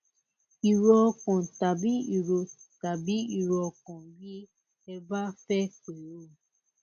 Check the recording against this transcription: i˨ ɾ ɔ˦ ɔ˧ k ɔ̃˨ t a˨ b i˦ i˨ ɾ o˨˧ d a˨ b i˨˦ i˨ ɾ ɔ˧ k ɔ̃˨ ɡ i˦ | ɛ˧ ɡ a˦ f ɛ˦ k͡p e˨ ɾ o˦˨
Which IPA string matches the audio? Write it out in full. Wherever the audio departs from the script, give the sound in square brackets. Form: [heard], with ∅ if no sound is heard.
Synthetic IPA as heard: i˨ ɾ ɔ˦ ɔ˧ k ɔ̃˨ t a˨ b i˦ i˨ ɾ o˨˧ [t] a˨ b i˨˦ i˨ ɾ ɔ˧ k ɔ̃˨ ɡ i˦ | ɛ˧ [b] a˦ f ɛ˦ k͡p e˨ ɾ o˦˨